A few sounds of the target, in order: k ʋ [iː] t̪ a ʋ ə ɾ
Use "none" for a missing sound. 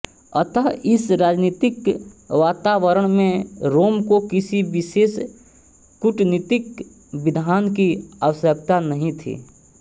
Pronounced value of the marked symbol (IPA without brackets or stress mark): aː